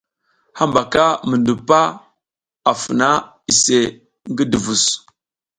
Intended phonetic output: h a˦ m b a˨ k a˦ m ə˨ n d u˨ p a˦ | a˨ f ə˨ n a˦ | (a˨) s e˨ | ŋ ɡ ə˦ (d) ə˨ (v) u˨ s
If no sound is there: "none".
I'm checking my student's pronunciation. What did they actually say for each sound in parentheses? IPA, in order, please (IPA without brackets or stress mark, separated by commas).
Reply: i˨, d, v